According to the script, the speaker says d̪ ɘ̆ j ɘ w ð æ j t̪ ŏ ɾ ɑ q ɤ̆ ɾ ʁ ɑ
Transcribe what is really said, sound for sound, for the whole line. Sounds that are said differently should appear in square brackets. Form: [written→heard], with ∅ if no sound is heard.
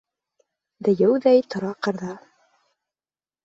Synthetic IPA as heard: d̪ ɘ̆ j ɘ w ð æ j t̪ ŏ ɾ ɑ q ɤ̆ ɾ [ʁ→ð] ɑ